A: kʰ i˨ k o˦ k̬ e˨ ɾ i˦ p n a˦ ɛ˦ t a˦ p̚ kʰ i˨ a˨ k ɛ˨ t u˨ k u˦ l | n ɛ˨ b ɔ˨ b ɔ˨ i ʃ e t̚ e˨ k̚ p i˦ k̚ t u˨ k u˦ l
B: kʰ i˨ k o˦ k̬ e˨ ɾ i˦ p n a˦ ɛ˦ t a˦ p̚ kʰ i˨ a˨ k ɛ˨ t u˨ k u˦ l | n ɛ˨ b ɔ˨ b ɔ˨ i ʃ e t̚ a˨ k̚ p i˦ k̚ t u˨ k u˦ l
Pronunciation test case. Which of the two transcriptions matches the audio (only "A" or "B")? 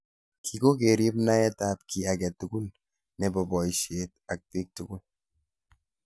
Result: B